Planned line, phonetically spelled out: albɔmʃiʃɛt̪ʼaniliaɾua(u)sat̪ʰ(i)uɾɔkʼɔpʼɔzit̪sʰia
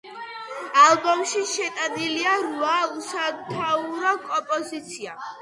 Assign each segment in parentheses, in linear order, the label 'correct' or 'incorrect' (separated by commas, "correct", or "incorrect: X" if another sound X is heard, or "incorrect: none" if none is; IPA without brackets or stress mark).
correct, incorrect: a